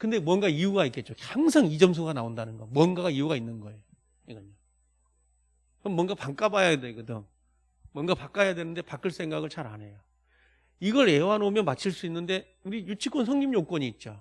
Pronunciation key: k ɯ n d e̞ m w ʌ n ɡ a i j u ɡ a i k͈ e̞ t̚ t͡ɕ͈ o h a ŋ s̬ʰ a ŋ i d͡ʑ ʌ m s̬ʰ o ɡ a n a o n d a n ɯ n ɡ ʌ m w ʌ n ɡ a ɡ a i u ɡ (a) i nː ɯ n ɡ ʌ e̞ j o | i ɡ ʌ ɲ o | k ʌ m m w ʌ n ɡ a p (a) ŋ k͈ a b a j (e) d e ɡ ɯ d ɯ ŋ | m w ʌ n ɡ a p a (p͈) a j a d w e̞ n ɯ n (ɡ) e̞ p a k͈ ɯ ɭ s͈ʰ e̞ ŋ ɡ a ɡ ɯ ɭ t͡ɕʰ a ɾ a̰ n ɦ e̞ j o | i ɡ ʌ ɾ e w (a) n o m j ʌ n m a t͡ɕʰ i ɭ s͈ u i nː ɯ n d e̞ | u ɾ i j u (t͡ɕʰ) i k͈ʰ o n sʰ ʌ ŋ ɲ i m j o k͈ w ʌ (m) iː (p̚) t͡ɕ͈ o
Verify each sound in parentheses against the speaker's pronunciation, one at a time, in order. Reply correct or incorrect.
correct, correct, incorrect, incorrect, incorrect, correct, correct, incorrect, incorrect

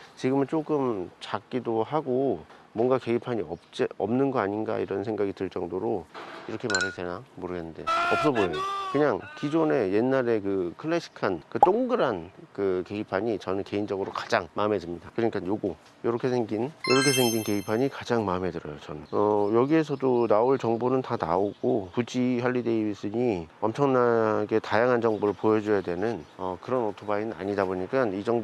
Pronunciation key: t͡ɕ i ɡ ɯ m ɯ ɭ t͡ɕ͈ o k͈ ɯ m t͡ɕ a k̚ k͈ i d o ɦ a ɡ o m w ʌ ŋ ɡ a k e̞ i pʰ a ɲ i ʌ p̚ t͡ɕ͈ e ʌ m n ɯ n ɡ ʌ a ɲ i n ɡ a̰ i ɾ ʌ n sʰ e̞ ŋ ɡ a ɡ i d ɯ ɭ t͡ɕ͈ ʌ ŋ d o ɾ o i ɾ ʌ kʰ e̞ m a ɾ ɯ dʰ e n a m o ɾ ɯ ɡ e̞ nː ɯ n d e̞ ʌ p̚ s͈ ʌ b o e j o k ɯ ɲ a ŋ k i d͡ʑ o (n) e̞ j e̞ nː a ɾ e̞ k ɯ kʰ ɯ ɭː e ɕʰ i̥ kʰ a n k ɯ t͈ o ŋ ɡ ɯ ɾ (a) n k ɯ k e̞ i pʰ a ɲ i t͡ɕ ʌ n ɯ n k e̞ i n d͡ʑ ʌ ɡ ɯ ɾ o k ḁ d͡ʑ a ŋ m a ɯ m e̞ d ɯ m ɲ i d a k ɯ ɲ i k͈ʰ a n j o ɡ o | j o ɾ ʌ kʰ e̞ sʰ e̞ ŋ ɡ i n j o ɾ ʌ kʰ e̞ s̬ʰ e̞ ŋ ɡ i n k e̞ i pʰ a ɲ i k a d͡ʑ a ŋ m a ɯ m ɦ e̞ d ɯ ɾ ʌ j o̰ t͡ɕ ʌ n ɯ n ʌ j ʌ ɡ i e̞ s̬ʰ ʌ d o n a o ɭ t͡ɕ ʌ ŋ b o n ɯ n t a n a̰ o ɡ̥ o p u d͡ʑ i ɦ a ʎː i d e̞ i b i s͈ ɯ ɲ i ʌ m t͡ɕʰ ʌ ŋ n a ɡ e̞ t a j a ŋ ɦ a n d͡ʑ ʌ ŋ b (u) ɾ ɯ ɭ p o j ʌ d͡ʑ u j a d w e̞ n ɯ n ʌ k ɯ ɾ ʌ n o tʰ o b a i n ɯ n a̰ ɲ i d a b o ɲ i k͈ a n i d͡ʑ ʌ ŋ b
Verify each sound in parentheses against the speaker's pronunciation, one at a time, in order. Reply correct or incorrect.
correct, correct, incorrect

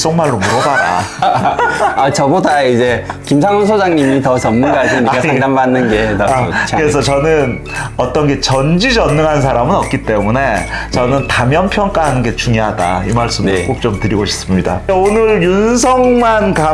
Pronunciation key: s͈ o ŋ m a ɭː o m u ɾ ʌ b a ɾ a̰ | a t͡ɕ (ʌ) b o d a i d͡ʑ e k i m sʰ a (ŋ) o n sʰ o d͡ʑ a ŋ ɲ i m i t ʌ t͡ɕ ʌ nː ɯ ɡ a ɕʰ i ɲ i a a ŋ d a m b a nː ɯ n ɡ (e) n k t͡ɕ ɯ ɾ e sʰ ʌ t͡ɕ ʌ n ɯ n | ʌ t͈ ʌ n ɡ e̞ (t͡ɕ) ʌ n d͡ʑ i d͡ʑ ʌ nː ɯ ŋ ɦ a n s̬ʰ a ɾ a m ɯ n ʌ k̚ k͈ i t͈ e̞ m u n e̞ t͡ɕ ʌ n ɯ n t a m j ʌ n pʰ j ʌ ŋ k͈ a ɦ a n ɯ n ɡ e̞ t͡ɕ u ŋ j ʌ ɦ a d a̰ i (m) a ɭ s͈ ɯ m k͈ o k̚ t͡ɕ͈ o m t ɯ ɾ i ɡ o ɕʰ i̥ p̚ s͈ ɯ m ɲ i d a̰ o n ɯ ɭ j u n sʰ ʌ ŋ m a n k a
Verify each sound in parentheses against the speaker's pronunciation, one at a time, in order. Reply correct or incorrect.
correct, correct, correct, correct, correct

